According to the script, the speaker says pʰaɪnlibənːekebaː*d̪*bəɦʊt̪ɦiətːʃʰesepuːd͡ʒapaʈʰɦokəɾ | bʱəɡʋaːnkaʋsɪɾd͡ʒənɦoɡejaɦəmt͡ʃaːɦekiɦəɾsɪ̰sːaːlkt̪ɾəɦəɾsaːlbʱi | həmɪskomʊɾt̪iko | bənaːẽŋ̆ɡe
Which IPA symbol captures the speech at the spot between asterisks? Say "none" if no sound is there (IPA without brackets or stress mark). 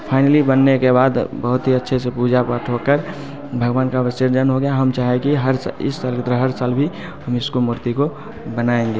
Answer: d̪